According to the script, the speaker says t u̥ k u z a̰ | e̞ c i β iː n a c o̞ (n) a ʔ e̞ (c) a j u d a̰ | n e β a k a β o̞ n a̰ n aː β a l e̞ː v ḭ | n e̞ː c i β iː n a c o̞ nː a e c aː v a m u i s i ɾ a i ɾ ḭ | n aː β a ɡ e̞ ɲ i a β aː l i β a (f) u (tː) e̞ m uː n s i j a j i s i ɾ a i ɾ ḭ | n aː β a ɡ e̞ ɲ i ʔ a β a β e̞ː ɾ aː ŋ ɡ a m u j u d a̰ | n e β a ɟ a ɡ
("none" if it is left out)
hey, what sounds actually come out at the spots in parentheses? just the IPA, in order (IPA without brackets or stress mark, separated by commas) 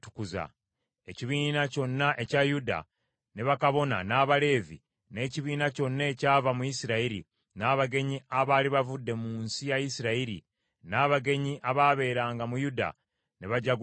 nː, c, v, dː